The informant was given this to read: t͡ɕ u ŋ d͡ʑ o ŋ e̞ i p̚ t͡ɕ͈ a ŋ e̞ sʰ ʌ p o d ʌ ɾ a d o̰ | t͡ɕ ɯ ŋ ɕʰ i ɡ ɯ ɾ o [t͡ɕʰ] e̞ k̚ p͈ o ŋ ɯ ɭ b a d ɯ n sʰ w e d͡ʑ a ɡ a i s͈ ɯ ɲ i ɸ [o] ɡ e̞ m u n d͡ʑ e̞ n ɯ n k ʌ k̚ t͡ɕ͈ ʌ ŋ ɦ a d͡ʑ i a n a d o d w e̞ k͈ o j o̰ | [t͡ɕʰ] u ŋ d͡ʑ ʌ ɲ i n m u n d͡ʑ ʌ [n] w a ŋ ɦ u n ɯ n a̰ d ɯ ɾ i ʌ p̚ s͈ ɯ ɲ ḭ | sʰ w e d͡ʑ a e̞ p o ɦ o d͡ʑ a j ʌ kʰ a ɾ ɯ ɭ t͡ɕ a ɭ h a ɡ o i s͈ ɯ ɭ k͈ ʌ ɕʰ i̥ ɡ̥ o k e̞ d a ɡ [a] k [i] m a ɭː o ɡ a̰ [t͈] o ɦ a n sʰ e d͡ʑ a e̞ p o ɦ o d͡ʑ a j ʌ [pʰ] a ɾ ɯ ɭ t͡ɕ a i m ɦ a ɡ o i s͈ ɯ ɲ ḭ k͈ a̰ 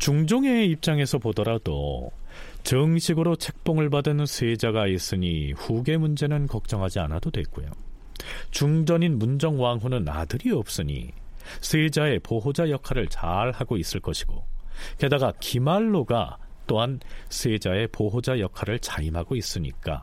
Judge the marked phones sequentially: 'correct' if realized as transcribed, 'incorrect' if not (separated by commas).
correct, incorrect, incorrect, incorrect, correct, correct, correct, incorrect